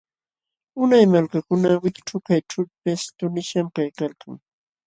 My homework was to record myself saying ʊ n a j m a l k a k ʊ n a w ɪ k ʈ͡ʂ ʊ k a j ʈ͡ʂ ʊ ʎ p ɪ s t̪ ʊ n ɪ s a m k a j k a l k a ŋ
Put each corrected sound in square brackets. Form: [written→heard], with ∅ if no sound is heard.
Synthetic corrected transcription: ʊ n a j m a l k a k ʊ n a w ɪ k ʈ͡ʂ ʊ k a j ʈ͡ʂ ʊ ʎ p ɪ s t̪ ʊ n ɪ [s→ʃ] a m k a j k a l k a ŋ

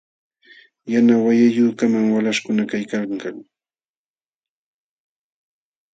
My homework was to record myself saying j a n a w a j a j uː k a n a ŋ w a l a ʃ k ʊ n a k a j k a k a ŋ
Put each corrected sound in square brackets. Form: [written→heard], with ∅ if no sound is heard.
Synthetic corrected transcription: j a n a w a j a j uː k a [n→m] a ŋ w a l a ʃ k ʊ n a k a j k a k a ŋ

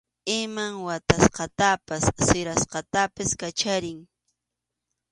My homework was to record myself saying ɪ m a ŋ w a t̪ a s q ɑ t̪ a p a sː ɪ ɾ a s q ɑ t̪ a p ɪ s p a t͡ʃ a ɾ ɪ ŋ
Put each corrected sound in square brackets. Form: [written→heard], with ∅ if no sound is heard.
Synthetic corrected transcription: ɪ m a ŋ w a t̪ a s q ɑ t̪ a p a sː ɪ ɾ a s q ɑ t̪ a p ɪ s [p→k] a t͡ʃ a ɾ ɪ ŋ

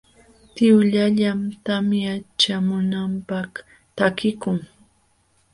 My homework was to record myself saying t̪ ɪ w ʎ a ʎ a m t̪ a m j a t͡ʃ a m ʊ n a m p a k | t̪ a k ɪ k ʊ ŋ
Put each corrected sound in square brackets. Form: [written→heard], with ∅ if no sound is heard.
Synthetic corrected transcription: t̪ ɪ w ʎ a ʎ a m t̪ a m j a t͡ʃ a m ʊ n a m p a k | t̪ a k ɪ k ʊ ŋ

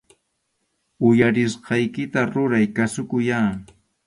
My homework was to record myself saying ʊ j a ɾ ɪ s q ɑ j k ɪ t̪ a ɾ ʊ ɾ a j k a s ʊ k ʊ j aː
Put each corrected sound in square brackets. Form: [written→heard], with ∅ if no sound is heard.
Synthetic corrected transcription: ʊ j a ɾ ɪ s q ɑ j k ɪ t̪ a ɾ ʊ ɾ a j k a s ʊ k ʊ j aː

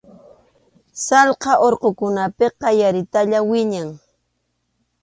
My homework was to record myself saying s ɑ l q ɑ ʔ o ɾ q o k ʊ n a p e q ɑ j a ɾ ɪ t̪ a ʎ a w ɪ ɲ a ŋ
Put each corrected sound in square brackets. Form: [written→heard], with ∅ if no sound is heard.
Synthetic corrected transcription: s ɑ l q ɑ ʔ o ɾ q o k ʊ n a p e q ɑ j a ɾ ɪ t̪ a ʎ a w ɪ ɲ a ŋ

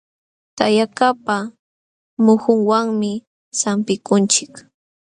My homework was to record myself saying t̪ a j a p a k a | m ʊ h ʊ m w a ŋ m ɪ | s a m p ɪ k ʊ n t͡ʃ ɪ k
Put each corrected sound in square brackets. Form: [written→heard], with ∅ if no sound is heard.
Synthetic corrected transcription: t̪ a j a [p→k] a [k→p] a | m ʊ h ʊ [m→ŋ] w a ŋ m ɪ | s a m p ɪ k ʊ n t͡ʃ ɪ k

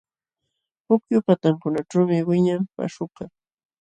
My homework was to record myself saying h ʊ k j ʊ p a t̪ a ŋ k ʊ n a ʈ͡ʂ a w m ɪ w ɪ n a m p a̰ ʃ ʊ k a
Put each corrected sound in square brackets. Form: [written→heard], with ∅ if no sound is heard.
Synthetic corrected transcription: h ʊ k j ʊ p a t̪ a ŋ k ʊ n a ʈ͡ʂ a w m ɪ w ɪ [n→ɲ] a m p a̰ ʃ ʊ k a

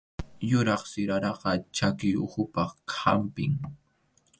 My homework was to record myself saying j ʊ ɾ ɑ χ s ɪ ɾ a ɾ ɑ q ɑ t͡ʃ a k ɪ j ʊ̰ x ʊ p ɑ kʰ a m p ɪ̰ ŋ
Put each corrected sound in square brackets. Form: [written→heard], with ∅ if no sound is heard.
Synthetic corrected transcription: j ʊ ɾ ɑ χ s ɪ ɾ a ɾ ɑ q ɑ t͡ʃ a k ɪ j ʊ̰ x ʊ p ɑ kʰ a m p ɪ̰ ŋ

